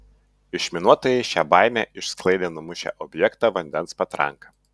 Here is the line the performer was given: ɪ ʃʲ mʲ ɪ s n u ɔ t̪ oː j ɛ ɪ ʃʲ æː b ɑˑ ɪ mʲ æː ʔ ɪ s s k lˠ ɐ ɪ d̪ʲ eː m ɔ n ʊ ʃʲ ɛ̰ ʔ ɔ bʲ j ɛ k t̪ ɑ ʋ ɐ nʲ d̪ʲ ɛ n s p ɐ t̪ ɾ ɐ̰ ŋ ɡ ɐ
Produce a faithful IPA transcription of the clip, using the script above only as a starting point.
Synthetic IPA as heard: ɪ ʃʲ mʲ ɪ n u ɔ t̪ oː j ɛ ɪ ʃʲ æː b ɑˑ ɪ mʲ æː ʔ ɪ ʃ s k lˠ ɐ ɪ d̪ʲ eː n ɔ m ʊ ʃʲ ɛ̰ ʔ ɔ bʲ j ɛ k t̪ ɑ ʋ ɐ nʲ d̪ʲ ɛ n s p ɐ t̪ ɾ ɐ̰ ŋ k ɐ